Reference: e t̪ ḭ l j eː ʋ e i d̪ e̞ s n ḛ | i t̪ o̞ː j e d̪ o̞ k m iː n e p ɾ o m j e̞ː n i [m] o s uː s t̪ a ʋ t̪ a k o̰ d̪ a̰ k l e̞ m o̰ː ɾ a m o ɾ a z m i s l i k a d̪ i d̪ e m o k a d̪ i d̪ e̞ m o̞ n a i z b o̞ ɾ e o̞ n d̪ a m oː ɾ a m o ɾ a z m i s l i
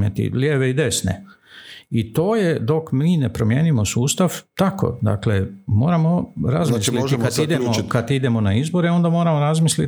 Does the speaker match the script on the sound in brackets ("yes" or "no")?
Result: yes